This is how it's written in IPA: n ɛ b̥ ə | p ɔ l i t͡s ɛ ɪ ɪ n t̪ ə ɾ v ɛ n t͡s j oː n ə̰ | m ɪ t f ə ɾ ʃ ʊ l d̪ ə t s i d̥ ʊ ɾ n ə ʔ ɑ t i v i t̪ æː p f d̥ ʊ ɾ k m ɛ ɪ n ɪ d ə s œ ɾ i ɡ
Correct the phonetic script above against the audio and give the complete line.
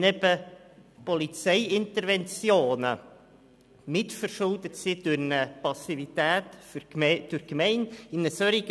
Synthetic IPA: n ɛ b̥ ə | p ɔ l i t͡s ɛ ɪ ɪ n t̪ ə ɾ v ɛ n t͡s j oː n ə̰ | m ɪ t f ə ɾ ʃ ʊ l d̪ ə t s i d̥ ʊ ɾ n ə p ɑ s i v i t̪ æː t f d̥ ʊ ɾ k m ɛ ɪ n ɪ n ə s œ ɾ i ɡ